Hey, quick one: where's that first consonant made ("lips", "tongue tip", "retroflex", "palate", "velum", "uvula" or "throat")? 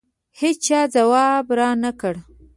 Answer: throat